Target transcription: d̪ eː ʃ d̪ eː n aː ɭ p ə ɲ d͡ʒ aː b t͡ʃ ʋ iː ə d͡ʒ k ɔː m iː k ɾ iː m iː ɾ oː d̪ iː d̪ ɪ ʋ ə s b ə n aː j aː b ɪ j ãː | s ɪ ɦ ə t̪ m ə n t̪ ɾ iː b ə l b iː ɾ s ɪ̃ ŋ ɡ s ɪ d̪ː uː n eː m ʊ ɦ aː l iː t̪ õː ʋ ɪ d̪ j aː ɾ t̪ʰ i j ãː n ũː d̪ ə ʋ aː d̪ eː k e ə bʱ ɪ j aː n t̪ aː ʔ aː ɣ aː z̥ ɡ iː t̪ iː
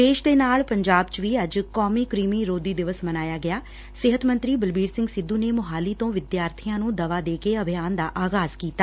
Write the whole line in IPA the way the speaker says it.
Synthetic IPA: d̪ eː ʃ d̪ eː n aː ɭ p ə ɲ d͡ʒ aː b t͡ʃ ʋ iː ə d͡ʒ k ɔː m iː k ɾ iː m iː ɾ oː d̪ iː d̪ ɪ ʋ ə s m ə n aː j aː ɡ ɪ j aː | s ɪ ɦ ə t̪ m ə n t̪ ɾ iː b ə l b iː ɾ s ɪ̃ ŋ ɡ s ɪ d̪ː uː n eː m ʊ ɦ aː l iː t̪ õː ʋ ɪ d̪ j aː ɾ t̪ʰ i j ãː n ũː d̪ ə ʋ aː d̪ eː k e ə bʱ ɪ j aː n d̪ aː ʔ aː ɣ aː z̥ k iː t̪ aː